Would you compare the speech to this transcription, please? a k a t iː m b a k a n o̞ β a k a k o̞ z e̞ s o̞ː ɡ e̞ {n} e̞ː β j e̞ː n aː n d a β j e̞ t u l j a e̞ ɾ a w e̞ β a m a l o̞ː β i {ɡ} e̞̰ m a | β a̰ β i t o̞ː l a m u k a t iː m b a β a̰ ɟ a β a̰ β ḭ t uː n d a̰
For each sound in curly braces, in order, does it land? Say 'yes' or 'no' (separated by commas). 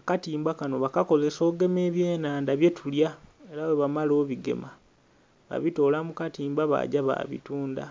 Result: no, yes